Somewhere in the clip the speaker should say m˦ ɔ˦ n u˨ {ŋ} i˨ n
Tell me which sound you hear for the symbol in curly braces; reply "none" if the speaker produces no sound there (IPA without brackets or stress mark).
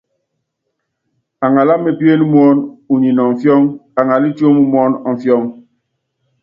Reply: ɲ